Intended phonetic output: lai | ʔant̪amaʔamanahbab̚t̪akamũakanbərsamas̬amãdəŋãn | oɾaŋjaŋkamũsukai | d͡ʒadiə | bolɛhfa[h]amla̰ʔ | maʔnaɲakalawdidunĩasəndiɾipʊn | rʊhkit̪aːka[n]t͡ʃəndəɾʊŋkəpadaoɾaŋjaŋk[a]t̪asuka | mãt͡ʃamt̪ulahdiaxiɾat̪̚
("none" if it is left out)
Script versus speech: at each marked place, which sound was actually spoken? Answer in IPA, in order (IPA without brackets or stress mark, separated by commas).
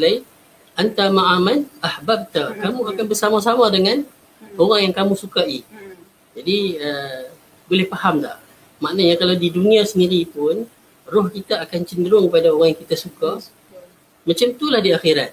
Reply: h, n, i